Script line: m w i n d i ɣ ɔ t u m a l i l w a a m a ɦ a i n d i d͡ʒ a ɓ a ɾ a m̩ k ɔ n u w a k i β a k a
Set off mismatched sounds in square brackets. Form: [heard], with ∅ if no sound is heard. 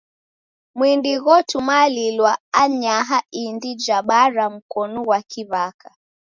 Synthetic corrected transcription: m w i n d i ɣ ɔ t u m a l i l w a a [ɲ] a ɦ a i n d i d͡ʒ a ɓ a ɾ a m̩ k ɔ n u w a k i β a k a